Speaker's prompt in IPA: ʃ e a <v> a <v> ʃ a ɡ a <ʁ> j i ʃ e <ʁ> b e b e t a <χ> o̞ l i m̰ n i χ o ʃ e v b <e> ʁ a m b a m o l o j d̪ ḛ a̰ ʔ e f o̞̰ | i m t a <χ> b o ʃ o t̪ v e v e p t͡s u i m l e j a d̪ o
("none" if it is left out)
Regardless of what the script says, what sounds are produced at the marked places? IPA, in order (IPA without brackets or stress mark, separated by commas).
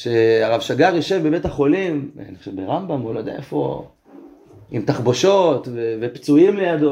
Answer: ʁ, v, ʁ, v, χ, e, χ